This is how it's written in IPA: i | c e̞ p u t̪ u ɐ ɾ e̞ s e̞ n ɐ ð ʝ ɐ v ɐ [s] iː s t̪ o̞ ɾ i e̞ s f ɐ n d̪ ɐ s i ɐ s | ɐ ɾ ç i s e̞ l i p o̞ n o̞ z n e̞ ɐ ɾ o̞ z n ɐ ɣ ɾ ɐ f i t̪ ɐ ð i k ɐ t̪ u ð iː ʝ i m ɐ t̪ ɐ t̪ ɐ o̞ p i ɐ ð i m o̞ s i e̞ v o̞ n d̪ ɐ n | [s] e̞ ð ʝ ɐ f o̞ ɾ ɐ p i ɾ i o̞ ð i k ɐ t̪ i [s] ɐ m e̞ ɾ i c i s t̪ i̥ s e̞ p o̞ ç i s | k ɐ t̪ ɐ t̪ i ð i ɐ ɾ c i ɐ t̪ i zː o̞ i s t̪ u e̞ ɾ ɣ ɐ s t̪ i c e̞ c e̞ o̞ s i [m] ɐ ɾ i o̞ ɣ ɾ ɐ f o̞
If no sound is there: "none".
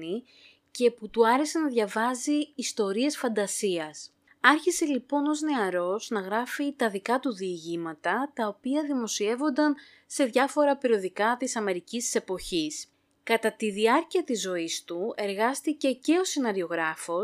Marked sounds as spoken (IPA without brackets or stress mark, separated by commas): z, s, s, n